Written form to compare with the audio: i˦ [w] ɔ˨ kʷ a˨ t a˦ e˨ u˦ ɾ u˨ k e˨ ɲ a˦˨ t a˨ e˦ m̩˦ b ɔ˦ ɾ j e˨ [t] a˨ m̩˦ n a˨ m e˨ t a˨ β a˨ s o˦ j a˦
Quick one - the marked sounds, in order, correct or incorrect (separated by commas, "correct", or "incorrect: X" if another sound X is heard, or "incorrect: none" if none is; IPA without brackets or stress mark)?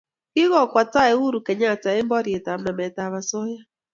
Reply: incorrect: ɣ, correct